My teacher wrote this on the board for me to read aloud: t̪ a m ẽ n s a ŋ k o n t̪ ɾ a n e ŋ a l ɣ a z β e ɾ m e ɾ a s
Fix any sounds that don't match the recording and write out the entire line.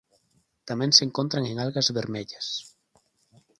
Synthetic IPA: t̪ a m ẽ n s e ŋ k o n t̪ ɾ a ŋ e ŋ a l ɣ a z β e ɾ m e ʎ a s